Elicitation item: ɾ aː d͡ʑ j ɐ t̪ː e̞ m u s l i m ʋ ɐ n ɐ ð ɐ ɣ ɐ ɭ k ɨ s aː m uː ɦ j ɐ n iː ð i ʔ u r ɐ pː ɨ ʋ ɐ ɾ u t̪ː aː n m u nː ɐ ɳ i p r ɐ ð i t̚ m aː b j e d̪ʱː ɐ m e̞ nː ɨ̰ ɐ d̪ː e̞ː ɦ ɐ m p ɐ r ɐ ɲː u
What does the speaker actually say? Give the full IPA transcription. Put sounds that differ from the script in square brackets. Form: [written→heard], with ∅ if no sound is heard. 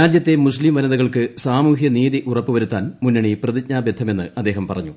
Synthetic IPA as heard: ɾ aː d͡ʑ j ɐ t̪ː e̞ m u s l i m ʋ ɐ n ɐ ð ɐ ɣ ɐ ɭ k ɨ s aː m uː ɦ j ɐ n iː ð i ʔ u r ɐ pː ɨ ʋ ɐ ɾ u t̪ː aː n m u nː ɐ ɳ i p r ɐ ð i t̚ [m→ɲ] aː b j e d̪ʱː ɐ m e̞ nː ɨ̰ ɐ d̪ː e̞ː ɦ ɐ m p ɐ r ɐ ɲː u